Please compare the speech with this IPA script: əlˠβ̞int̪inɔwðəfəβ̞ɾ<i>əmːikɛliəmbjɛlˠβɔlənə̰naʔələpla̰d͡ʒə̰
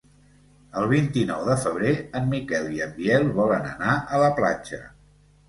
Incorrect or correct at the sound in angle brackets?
incorrect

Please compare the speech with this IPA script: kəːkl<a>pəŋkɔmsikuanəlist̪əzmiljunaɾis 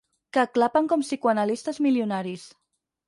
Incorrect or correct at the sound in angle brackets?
correct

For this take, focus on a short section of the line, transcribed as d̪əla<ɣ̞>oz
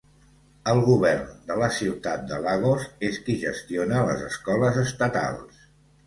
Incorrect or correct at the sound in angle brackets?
correct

